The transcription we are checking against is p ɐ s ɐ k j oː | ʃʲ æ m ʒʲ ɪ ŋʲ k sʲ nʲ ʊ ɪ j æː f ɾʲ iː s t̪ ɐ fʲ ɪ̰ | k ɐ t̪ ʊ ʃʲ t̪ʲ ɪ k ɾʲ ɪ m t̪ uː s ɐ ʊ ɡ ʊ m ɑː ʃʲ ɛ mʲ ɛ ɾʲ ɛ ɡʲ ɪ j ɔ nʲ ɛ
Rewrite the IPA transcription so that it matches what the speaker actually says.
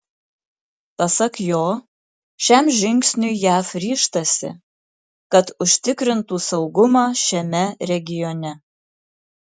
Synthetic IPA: p ɐ s ɐ k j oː | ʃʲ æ m ʒʲ ɪ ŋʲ k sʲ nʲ ʊ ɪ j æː f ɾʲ iː ʃ t̪ ɐ sʲ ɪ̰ | k ɐ t̪ ʊ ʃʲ t̪ʲ ɪ k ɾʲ ɪ n t̪ uː s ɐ ʊ ɡ ʊ m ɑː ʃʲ ɛ mʲ ɛ ɾʲ ɛ ɡʲ ɪ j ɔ nʲ ɛ